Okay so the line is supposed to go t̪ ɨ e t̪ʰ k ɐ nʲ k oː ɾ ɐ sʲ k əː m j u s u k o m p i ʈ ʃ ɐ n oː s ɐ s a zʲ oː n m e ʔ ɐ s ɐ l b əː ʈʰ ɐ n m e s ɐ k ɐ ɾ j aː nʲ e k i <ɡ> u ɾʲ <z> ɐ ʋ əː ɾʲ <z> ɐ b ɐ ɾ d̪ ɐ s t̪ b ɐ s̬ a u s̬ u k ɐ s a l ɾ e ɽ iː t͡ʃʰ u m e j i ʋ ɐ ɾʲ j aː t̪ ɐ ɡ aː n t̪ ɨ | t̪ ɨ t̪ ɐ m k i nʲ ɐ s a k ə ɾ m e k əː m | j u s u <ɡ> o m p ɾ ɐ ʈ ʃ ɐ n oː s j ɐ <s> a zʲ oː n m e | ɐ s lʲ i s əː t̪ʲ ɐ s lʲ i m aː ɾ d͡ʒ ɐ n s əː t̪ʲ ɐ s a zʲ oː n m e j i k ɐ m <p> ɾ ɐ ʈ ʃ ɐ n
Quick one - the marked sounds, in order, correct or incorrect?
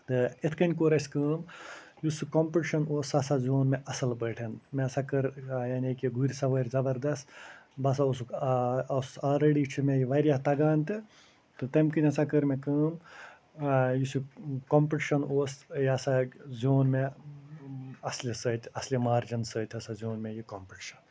correct, incorrect, correct, incorrect, correct, correct

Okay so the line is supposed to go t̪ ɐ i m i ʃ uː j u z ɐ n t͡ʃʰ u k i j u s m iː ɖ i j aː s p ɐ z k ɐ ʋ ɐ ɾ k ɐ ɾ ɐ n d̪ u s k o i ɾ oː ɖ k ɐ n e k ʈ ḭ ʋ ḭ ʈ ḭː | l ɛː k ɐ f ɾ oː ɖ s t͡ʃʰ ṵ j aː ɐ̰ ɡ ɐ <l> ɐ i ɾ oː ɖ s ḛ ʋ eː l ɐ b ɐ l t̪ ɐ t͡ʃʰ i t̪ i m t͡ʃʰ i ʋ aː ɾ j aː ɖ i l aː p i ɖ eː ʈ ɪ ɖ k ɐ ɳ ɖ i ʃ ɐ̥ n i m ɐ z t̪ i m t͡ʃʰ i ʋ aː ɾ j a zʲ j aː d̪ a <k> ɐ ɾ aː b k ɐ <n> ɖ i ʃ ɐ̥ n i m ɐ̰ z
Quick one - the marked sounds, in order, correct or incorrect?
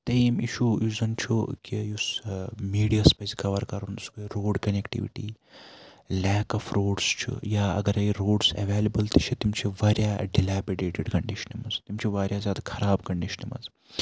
incorrect, incorrect, incorrect

